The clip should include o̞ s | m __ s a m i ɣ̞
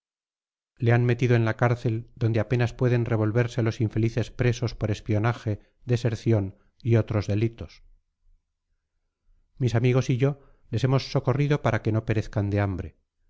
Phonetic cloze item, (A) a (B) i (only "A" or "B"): B